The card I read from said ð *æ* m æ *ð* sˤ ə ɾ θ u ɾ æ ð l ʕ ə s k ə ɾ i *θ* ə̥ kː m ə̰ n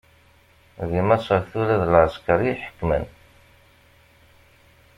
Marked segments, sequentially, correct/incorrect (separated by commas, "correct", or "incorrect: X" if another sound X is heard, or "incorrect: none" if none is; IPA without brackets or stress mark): incorrect: i, incorrect: none, incorrect: ħ